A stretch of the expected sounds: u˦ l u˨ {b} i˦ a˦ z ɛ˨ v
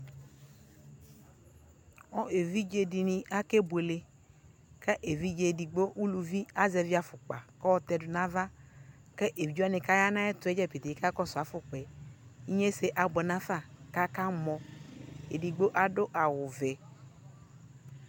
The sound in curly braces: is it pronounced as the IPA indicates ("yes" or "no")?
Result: no